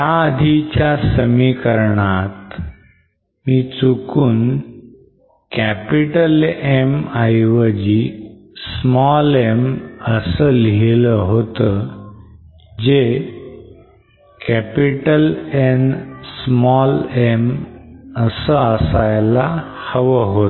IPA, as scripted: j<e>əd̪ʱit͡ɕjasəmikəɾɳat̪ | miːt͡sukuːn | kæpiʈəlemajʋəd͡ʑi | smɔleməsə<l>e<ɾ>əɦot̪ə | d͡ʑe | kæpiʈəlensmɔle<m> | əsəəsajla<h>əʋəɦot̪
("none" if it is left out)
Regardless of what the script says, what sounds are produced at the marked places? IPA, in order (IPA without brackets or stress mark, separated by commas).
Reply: a, l, l, m, h